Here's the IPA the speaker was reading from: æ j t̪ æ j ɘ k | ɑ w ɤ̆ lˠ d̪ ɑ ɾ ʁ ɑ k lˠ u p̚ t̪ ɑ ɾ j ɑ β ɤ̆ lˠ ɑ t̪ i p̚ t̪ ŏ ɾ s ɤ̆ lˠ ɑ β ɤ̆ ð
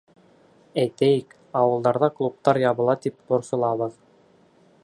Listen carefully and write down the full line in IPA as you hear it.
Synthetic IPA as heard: æ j t̪ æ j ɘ k | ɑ w ɤ̆ lˠ d̪ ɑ ɾ ð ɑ k lˠ u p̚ t̪ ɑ ɾ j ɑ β ɤ̆ lˠ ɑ t̪ i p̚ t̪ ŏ ɾ s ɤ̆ lˠ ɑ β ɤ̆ ð